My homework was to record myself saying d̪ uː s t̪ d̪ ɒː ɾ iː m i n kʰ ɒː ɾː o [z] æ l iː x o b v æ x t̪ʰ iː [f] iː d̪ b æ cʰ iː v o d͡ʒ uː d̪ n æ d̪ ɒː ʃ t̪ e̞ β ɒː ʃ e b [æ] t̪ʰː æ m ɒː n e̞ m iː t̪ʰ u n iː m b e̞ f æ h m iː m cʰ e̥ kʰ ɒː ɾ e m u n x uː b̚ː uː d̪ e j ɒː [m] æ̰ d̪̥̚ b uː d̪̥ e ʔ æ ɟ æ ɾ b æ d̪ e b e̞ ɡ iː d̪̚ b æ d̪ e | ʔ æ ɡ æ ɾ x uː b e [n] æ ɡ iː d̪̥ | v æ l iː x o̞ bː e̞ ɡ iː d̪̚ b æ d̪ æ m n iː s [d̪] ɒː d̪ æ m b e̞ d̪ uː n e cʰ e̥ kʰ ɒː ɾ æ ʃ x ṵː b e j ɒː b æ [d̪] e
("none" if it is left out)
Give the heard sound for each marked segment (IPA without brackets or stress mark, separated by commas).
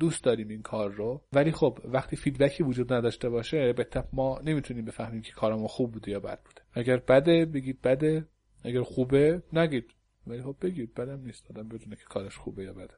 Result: v, f, e, b, n, t̪, d̪